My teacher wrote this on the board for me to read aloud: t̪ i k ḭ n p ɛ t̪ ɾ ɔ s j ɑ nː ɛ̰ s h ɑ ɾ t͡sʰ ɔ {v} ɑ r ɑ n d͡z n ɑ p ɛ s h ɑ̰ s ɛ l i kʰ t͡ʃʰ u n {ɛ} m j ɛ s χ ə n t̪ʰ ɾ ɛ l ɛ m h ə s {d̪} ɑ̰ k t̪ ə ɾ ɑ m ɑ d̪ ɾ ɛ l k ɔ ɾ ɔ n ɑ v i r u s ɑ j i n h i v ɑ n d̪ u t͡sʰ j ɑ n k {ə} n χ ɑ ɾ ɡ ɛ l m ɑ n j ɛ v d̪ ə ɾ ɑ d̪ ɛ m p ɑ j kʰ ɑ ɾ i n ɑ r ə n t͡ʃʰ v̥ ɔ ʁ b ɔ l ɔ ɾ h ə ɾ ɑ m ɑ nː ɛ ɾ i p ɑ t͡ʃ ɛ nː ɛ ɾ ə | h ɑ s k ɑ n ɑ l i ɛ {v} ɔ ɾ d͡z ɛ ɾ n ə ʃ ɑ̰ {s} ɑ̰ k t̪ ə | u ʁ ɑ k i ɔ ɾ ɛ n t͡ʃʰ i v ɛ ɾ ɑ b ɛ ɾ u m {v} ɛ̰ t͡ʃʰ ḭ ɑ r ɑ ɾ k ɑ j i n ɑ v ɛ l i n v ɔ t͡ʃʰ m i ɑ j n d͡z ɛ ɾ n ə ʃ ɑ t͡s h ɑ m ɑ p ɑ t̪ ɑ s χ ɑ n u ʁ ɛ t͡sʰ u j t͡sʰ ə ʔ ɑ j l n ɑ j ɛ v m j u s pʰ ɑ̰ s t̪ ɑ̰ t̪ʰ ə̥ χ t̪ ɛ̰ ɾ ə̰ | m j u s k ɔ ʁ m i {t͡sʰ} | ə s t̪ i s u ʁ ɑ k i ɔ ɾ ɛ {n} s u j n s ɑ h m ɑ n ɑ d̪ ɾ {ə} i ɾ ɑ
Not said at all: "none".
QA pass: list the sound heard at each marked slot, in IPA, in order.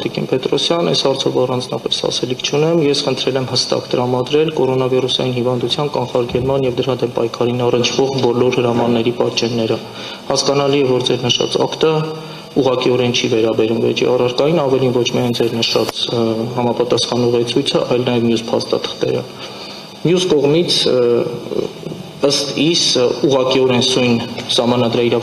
v, ɛ, t̪, ɑ, v, t͡s, v, t͡sʰ, n, ɑ

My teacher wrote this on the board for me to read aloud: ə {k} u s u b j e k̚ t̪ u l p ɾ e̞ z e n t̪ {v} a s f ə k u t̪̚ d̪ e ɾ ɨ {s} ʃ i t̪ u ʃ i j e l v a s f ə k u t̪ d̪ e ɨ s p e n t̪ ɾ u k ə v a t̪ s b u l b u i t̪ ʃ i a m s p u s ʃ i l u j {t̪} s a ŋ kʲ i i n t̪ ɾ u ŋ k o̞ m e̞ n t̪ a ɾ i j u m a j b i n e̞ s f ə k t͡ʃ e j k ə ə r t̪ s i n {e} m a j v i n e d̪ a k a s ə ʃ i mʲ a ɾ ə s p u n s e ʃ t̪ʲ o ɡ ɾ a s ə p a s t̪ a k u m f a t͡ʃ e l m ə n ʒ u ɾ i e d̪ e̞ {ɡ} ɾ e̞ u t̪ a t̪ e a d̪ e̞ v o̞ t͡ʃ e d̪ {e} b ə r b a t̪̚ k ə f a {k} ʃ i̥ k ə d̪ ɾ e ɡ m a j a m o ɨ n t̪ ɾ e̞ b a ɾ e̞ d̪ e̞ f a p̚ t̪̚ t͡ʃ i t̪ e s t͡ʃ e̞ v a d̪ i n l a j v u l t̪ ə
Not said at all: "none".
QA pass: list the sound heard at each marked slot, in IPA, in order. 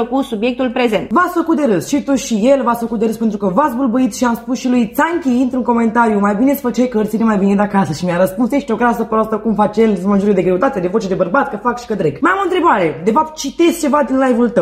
k, v, s, t̪, e, ɡ, e, k

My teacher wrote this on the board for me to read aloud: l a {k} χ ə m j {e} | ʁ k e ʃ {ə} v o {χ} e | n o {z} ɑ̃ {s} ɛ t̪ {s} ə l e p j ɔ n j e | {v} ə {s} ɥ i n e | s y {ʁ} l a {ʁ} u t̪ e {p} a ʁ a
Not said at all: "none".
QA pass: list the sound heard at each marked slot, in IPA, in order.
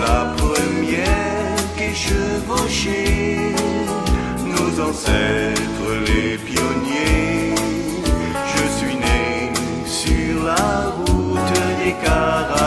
p, ɛ, ə, ʃ, z, s, χ, ʒ, s, ʁ, ʁ, k

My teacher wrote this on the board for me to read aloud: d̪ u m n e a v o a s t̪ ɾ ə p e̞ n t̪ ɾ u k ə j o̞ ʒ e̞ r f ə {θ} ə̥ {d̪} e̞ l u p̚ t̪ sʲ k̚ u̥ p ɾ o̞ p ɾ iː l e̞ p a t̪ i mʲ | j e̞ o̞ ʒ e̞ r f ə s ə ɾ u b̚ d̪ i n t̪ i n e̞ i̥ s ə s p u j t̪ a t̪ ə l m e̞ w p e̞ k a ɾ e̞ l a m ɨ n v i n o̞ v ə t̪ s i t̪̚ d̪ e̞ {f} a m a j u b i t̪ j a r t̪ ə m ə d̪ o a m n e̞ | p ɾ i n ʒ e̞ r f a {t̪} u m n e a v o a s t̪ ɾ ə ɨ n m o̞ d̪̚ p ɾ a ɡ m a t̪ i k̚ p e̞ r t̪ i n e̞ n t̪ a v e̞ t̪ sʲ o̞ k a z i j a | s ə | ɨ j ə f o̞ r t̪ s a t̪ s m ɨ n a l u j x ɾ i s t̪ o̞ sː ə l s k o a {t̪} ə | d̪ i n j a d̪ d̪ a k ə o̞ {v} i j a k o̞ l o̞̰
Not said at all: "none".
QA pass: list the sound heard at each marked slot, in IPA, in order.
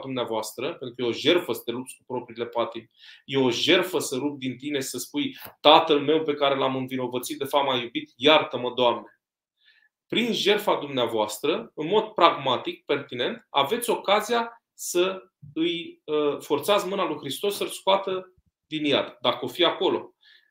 s, t̪, f, d̪, t̪, f

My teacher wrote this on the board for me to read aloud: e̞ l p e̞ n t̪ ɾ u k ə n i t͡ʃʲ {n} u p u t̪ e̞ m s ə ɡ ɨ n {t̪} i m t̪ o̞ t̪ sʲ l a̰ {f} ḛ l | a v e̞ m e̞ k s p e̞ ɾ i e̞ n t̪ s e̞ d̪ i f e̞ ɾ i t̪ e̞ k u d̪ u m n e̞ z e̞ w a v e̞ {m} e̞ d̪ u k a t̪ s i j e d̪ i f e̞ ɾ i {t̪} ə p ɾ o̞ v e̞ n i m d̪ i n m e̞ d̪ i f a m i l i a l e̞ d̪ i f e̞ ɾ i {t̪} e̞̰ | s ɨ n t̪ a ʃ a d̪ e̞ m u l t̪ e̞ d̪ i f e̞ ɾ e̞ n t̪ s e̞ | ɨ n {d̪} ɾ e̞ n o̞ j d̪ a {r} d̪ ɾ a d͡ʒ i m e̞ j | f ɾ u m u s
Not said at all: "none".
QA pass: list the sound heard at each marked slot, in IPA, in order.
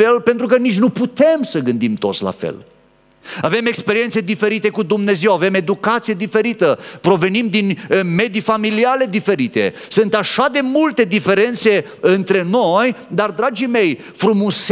n, d̪, f, m, t̪, t̪, t̪, r

